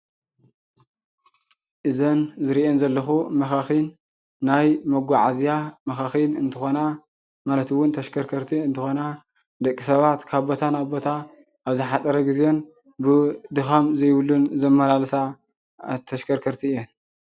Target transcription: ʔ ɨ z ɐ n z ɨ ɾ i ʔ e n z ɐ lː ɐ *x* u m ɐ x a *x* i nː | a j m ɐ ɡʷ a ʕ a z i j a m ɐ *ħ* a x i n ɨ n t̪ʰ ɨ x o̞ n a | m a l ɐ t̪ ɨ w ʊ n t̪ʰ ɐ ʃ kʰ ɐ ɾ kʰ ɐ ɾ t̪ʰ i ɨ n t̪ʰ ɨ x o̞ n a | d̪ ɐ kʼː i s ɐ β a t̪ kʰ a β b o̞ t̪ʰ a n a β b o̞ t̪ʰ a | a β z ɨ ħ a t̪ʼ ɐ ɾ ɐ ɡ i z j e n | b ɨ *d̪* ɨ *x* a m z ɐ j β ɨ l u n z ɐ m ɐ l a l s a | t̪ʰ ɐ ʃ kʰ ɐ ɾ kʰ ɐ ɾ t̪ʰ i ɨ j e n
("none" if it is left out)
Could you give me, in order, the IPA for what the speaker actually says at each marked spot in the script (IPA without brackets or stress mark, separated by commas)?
x, x, x, d̪, x